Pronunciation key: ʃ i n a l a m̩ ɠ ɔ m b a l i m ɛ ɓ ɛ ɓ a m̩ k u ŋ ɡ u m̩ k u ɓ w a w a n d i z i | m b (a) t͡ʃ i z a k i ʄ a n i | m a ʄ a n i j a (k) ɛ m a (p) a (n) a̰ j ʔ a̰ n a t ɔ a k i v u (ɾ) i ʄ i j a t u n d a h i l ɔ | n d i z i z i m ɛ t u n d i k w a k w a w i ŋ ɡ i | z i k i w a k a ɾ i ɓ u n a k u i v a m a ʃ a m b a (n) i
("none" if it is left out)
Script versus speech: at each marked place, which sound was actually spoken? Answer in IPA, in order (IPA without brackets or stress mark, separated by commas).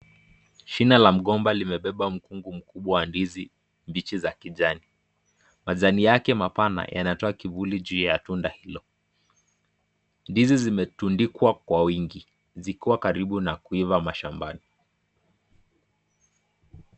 i, k, p, n, l, n